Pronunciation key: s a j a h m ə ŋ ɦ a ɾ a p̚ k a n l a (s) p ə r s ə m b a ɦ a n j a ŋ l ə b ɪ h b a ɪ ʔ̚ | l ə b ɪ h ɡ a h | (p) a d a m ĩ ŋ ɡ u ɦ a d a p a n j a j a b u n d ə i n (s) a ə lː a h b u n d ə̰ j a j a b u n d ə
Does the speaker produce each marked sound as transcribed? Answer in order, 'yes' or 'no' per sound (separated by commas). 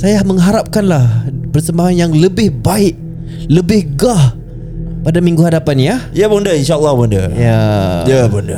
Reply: no, yes, no